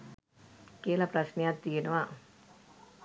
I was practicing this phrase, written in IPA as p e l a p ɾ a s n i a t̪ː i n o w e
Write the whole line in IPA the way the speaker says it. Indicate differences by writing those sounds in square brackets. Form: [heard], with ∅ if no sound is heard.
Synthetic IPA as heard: [k] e l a p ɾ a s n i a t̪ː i n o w [a]